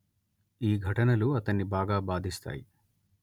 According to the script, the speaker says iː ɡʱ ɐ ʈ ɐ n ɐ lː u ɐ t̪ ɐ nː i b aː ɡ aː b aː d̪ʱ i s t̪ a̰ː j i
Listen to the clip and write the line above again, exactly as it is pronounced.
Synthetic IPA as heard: iː ɡʱ ɐ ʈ ɐ n ɐ l u ɐ t̪ ɐ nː i b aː ɡ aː b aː d̪ʱ i s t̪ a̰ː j i